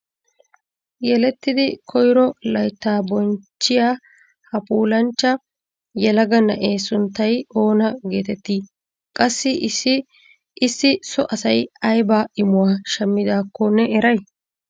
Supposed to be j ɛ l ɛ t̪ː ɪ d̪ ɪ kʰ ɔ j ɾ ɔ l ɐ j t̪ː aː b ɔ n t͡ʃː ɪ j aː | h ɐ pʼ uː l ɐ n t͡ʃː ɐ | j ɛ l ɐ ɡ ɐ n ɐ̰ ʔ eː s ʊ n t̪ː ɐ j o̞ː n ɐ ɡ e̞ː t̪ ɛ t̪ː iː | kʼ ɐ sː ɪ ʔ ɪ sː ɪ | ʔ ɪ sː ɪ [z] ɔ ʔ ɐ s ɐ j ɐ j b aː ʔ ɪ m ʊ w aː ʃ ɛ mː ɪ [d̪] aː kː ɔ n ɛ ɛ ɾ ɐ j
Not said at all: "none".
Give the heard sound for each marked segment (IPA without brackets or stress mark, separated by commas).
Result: s, d̪